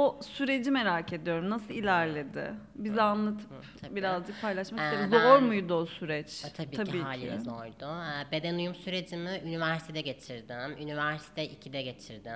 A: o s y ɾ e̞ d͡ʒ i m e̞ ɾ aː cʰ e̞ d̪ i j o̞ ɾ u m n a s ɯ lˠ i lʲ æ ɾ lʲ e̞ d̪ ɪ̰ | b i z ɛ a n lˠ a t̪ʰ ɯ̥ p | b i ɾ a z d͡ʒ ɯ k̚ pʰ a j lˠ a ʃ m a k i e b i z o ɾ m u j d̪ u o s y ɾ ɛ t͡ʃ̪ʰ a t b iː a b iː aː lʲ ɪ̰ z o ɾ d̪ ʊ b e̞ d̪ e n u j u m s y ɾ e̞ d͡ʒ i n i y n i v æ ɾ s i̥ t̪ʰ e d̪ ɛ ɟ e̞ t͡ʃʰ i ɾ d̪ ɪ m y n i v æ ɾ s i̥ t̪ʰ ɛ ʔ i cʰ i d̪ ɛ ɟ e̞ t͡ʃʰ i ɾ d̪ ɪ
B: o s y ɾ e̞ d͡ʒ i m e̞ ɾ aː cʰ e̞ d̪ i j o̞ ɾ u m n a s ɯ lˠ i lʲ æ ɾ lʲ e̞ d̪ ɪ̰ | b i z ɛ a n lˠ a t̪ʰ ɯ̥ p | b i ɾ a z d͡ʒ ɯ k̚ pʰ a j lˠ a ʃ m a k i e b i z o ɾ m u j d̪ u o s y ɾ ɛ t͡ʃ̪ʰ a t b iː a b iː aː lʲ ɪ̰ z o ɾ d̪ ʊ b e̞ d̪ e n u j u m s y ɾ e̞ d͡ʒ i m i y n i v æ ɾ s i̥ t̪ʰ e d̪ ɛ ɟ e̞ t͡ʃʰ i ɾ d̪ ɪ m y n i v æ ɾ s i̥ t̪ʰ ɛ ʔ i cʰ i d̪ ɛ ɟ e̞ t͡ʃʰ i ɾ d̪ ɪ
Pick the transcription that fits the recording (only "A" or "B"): B